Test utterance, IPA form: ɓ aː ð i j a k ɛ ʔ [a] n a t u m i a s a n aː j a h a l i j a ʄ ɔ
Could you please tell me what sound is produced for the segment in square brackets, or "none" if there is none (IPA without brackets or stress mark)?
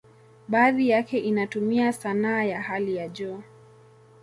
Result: i